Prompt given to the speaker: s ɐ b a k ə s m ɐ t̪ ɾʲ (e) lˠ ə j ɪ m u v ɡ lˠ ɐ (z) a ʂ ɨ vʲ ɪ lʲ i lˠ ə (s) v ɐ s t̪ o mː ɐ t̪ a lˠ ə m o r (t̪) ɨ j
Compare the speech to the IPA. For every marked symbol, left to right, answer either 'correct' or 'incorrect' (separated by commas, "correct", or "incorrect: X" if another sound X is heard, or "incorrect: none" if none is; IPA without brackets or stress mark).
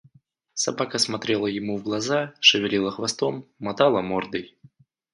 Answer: correct, correct, incorrect: x, incorrect: d̪